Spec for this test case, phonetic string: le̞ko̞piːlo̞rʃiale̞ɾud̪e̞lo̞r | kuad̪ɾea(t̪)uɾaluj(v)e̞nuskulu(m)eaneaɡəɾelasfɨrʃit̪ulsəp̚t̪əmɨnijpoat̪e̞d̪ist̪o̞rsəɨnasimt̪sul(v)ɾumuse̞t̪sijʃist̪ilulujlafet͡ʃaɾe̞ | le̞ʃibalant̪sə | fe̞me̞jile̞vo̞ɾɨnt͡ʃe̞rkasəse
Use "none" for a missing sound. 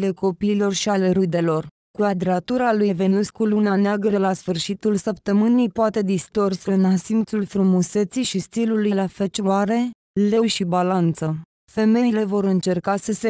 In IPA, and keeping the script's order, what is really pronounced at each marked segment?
t̪, v, n, f

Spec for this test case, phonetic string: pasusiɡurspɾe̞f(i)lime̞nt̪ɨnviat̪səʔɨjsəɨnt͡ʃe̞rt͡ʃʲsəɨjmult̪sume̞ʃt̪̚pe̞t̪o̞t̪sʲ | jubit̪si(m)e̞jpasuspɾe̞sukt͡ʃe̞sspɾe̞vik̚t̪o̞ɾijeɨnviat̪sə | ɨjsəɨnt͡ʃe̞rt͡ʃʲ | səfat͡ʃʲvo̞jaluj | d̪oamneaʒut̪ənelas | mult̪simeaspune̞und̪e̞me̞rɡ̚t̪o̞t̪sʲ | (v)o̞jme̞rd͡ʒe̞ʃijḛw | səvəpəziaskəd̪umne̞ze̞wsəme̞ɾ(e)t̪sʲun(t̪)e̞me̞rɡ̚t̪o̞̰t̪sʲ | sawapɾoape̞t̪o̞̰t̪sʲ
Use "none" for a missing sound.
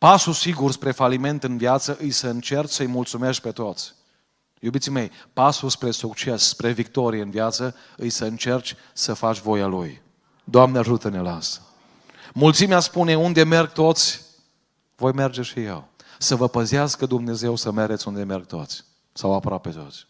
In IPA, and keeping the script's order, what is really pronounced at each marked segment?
a, m, v, e, d̪

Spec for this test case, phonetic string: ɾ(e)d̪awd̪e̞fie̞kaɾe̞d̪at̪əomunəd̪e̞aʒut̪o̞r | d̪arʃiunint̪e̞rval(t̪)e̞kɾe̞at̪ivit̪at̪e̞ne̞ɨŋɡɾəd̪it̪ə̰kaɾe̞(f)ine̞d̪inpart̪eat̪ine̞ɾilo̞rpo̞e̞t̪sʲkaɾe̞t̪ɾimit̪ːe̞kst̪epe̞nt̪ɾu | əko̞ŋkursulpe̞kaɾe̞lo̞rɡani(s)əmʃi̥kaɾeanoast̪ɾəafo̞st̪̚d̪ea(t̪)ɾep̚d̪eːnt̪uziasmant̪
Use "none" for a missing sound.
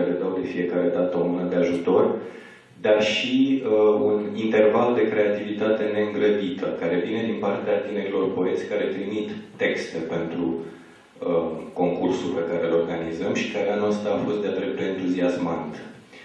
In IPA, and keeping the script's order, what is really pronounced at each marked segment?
e, d̪, v, z, d̪

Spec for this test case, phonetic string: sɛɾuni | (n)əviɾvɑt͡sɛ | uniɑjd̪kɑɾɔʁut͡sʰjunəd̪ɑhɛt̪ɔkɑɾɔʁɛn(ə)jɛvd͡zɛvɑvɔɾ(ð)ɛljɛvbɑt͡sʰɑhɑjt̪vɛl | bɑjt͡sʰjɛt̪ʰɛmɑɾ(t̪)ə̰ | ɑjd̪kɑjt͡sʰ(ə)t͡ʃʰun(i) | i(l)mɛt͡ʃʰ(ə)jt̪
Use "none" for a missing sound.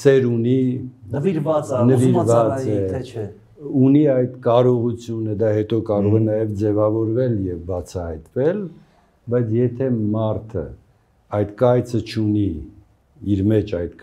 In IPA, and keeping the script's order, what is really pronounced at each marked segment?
n, ɑ, v, t̪ʰ, ə, i, ɾ, ɑ

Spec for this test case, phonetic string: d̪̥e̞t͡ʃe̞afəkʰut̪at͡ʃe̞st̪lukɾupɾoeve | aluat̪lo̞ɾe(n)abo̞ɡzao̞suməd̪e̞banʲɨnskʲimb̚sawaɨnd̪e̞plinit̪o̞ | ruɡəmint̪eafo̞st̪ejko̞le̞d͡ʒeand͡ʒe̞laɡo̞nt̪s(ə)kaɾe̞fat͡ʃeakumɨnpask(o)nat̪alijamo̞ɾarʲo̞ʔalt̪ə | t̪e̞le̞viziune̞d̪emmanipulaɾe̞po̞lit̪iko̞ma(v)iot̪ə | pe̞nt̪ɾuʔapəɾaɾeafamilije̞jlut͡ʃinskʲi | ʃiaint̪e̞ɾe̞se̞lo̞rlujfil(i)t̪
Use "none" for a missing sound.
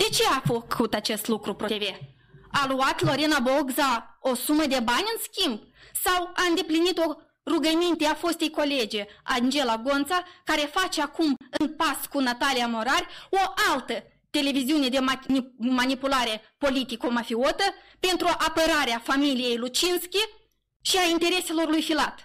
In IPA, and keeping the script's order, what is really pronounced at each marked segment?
n, a, u, f, a

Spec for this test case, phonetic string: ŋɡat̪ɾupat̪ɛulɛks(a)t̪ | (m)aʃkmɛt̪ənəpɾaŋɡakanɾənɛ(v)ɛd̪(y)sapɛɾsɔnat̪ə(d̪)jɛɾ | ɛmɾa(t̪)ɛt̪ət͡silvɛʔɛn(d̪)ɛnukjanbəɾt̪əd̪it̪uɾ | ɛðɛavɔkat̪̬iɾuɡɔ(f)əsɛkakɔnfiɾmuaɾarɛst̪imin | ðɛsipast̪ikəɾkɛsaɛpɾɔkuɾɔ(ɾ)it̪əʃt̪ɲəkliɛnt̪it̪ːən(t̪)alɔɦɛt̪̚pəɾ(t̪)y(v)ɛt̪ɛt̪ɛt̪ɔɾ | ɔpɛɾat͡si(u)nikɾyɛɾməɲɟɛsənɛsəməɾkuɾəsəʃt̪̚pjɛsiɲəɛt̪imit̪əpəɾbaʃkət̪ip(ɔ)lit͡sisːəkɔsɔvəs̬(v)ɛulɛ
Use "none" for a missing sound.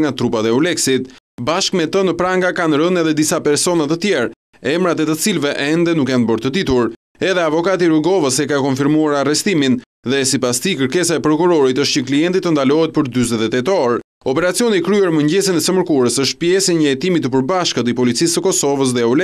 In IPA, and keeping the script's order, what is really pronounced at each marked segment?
i, b, ð, i, t̪, t̪, d̪, v, ɾ, d̪, d̪, z, ɔ, ɔ, ð

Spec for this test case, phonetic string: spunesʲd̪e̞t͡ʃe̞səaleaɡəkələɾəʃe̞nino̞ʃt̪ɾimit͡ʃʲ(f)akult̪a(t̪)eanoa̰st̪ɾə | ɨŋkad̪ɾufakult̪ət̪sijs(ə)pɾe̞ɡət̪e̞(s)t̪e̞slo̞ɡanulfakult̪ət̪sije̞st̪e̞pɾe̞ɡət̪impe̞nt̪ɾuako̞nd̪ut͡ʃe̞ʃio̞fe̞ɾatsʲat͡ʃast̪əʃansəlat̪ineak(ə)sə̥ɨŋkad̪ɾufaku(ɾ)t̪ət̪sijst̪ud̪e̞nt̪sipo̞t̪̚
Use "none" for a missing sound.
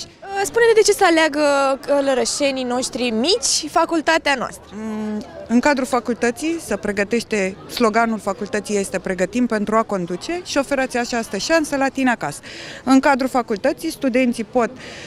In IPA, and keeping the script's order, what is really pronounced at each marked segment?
f, t̪, ə, ʃ, a, l

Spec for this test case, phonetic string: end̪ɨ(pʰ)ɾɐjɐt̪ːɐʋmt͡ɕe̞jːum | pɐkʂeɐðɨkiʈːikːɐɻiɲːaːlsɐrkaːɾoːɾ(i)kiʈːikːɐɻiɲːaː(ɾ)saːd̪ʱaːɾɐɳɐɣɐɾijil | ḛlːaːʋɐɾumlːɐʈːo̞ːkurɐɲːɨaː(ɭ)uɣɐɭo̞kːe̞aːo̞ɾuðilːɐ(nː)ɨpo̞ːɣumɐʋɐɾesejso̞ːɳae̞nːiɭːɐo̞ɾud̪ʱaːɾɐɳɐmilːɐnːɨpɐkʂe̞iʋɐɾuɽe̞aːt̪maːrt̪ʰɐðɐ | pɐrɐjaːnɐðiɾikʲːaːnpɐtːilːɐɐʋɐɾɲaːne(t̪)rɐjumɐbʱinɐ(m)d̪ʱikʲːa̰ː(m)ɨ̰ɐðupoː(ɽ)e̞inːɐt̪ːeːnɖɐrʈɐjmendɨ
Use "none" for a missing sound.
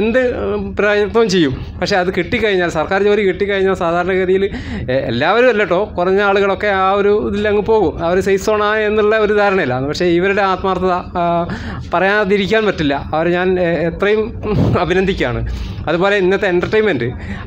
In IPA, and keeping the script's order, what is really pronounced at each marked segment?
p, i, l, ɭ, ŋː, t̪, n, ɳ, l

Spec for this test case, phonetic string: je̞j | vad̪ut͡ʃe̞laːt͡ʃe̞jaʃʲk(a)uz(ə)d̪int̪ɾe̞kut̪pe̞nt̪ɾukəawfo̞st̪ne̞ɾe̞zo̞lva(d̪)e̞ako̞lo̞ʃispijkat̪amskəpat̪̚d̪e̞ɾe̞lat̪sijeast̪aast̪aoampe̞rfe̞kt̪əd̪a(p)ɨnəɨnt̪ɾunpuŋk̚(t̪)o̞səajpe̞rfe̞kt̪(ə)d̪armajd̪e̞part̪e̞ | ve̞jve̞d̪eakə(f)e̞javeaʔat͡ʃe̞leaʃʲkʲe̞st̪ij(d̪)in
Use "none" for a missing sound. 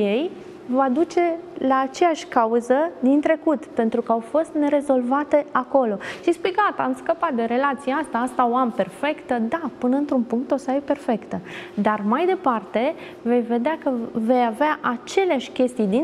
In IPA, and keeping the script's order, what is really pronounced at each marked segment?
a, ə, t̪, p, t̪, ə, v, d̪

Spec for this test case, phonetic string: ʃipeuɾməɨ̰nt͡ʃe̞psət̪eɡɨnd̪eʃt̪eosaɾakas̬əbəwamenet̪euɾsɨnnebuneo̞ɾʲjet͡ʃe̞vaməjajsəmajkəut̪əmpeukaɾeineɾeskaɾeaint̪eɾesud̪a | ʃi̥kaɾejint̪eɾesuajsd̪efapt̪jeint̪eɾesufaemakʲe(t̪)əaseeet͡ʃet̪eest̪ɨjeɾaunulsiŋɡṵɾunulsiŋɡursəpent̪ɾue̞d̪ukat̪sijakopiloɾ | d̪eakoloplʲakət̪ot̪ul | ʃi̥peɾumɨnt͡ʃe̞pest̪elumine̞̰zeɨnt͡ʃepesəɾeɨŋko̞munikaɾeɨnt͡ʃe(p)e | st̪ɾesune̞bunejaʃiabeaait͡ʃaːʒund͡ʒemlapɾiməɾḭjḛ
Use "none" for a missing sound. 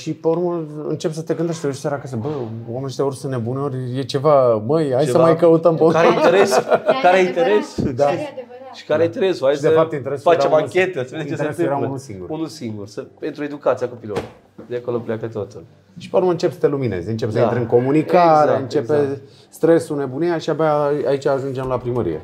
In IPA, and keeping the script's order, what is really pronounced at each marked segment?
t̪, p

